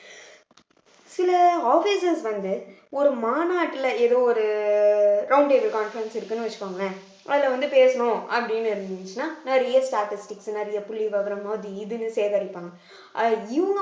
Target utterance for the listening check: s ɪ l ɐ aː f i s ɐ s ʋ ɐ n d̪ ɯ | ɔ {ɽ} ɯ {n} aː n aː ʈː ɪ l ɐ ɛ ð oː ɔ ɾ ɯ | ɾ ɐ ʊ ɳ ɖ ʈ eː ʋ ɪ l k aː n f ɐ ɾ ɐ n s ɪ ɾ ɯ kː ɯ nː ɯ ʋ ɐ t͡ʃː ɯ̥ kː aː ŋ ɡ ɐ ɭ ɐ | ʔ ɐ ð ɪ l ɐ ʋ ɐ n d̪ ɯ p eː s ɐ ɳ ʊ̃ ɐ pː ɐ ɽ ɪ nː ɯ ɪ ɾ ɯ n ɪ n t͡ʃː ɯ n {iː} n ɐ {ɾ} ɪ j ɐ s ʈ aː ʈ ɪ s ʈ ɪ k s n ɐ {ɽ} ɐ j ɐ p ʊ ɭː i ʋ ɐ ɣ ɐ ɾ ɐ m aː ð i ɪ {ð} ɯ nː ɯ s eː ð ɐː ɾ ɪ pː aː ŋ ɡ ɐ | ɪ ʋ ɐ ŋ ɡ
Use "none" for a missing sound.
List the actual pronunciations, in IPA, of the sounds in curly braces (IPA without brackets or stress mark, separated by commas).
ɾ, m, aː, ɾ, ɾ, ð